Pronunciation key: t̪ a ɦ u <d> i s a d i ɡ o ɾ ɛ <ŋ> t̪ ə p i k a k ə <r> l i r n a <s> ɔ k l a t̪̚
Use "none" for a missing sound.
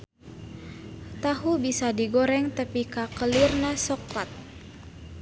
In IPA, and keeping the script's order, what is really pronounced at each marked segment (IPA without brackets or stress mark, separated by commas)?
b, ŋ, none, s